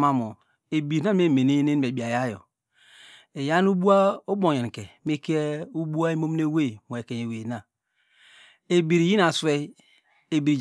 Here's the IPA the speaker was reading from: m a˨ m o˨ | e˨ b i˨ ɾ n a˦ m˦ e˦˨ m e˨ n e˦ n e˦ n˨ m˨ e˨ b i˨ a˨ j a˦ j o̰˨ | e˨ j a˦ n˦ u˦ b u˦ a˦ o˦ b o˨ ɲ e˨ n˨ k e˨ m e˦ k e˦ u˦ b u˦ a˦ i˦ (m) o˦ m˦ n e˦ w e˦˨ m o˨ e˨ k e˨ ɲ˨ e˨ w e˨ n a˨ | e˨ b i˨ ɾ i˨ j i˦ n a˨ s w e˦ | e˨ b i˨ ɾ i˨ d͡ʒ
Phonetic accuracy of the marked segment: correct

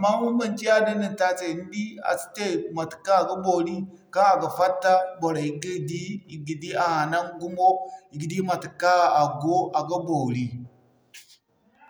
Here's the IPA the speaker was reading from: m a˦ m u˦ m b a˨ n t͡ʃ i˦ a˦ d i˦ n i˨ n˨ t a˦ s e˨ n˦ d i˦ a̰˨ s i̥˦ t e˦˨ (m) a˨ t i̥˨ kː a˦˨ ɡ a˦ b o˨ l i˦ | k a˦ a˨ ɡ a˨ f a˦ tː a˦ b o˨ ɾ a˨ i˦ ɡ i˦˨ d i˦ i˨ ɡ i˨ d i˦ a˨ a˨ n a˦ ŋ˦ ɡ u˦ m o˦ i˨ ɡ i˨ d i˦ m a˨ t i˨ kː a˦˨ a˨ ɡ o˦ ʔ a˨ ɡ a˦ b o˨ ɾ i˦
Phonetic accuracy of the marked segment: correct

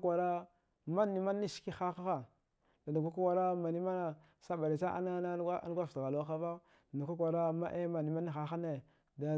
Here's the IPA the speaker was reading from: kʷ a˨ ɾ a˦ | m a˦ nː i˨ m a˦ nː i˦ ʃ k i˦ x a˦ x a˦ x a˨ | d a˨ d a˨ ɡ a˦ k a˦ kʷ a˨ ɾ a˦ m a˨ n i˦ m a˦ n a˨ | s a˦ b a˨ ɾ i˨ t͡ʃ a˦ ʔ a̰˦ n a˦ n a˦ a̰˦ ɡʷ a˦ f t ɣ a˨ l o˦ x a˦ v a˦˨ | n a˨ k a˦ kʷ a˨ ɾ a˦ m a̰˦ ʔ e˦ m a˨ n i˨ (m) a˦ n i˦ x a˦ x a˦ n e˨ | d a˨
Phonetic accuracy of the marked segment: correct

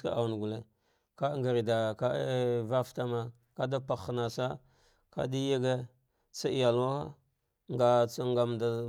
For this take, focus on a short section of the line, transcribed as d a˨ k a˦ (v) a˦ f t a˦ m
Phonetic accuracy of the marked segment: correct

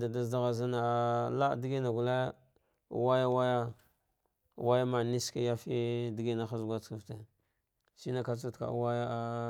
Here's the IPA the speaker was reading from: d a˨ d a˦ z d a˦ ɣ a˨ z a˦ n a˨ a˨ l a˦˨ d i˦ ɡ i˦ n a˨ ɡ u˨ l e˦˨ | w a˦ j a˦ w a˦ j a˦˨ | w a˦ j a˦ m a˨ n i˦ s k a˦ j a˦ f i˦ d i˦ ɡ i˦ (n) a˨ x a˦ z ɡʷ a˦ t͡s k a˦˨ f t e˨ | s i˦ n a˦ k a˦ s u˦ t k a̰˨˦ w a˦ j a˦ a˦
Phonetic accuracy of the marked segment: correct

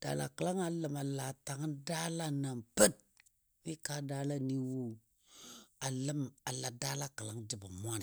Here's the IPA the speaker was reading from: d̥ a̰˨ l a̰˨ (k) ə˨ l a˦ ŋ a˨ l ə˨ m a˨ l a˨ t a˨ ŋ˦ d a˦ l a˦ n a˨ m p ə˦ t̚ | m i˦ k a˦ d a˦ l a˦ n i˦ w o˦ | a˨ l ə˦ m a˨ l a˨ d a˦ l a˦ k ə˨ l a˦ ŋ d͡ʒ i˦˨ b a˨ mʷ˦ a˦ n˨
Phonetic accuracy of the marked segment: correct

